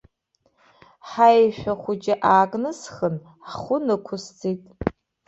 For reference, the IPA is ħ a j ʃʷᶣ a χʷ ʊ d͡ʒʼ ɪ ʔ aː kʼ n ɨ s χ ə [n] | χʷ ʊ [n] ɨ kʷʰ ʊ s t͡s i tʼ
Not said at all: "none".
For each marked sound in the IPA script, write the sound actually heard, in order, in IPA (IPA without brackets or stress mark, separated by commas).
n, n